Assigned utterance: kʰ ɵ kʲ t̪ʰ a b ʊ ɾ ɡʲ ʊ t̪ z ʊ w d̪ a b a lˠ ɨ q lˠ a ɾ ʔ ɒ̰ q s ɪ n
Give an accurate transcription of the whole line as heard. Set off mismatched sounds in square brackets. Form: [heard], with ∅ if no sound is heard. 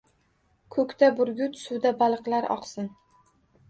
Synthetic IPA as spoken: kʰ ɵ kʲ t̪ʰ a b ʊ ɾ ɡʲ ʊ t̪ [s] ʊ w d̪ a b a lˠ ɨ q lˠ a ɾ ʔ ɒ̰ q s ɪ n